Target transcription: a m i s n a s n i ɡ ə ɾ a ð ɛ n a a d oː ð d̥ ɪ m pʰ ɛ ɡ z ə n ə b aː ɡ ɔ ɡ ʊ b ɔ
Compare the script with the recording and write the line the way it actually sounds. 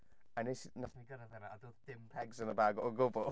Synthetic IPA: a n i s n a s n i ɡ ə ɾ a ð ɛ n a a d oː ð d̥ ɪ m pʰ ɛ ɡ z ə n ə b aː ɡ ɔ ɡ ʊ b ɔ

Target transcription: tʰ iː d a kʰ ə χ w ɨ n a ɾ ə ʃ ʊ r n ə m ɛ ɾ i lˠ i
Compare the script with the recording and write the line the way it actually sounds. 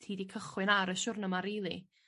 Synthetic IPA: tʰ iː d i kʰ ə χ w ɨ n a ɾ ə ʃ ʊ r n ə m a ɾ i lˠ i

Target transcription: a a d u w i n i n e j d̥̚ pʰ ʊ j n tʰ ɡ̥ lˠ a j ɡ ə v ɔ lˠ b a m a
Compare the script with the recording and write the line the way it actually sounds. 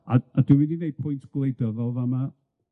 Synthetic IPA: a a d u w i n i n e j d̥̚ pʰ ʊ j n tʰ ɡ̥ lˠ e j d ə v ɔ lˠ v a m a

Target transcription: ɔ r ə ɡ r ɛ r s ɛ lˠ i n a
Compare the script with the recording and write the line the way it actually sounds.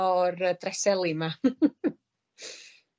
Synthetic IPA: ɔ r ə d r ɛ s ɛ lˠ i m a

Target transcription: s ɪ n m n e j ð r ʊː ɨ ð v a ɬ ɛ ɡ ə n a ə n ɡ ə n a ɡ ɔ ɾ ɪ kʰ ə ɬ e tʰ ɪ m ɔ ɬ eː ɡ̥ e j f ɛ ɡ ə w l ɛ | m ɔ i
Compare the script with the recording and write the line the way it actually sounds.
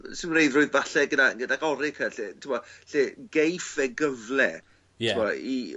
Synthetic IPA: s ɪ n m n e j ð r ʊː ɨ ð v a ɬ ɛ ɡ ə d a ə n ɡ ə d a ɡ ɔ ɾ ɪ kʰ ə ɬ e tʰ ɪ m ɔ ɬ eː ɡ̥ e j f ɛ ɡ ə v l ɛ | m ɔ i

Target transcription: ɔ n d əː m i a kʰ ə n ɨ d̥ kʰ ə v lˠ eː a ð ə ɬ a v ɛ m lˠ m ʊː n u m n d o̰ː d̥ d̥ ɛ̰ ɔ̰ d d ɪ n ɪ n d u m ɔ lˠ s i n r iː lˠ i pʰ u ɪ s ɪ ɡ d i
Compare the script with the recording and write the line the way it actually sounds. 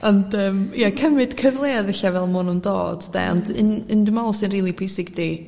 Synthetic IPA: ɔ n d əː m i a kʰ ə m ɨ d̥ kʰ ə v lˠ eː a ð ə ɬ a v ɛ lˠ m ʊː n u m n d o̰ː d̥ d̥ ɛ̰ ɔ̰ n d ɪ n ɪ n d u m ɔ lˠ s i n r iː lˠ i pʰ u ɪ s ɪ ɡ d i

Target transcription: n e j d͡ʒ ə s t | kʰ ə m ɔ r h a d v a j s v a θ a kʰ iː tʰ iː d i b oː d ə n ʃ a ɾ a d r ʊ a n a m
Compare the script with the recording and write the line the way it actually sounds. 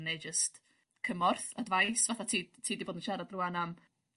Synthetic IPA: n e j d͡ʒ ə s t | kʰ ə m ɔ r θ a d v a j s v a θ a tʰ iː tʰ iː d i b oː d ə n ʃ a ɾ a d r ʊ a n a m

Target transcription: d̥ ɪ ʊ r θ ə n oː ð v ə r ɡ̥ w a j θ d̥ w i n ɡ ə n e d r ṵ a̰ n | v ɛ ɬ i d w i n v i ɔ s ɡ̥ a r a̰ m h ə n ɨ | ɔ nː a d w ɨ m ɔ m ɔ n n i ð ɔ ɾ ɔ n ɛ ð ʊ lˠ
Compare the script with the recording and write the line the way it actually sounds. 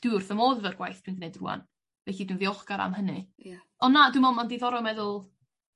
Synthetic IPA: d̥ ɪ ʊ r θ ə m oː ð v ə r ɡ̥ w a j θ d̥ w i n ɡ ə n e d r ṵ a̰ n | v ɛ ɬ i d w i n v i ɔ χ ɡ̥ a ɾ a̰ m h ə n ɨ | ɔ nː a d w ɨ m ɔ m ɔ n d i ð ɔ ɾ ɔ m ɛ ð ʊ lˠ

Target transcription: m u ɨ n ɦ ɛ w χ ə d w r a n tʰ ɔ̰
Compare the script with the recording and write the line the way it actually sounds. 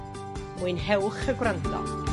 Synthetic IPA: m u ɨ n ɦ ɛ w χ ə ɡ w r a n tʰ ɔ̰

